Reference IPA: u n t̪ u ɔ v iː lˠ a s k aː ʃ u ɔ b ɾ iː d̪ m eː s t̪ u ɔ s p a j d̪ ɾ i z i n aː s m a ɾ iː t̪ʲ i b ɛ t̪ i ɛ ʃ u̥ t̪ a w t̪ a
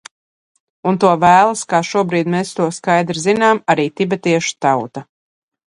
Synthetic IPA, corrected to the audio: u n t̪ u ɔ v æː lˠ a s k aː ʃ u ɔ b ɾ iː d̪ m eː s t̪ u ɔ s k a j d̪ ɾ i z i n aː m a ɾ iː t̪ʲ i b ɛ t̪ i ɛ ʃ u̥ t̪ a w t̪ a